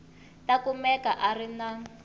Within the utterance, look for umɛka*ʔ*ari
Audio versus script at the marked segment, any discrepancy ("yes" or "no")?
no